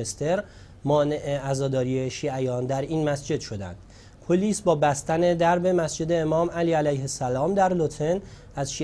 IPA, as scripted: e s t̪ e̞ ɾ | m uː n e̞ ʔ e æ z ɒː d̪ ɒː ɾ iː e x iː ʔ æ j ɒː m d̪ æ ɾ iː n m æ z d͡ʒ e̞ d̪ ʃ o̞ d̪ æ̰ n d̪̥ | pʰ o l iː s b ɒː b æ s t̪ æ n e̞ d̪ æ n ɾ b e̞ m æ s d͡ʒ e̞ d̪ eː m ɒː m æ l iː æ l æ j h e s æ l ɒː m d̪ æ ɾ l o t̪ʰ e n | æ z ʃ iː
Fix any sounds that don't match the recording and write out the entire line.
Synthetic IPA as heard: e s t̪ e̞ ɾ | m ɒː n e̞ ʔ e æ z ɒː d̪ ɒː ɾ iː e ʃ iː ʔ æ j ɒː n d̪ æ ɾ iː n m æ s d͡ʒ e̞ d̪ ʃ o̞ d̪ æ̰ n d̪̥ | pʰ o l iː s b ɒː b æ s t̪ æ n e̞ d̪ æ ɾ b e̞ m æ s d͡ʒ e̞ d̪ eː m ɒː m æ l iː æ l æ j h e s æ l ɒː m d̪ æ ɾ l o t̪ʰ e n | æ z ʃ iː